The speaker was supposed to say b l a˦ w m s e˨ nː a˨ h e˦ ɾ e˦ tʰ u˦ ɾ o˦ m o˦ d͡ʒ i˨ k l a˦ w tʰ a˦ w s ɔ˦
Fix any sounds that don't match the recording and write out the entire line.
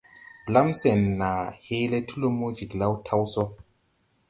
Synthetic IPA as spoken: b l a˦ m s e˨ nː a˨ h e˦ l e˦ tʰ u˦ l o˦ m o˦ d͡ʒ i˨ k l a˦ w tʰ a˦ w s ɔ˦